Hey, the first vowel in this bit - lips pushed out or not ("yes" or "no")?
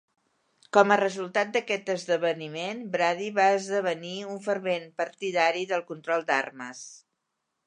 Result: yes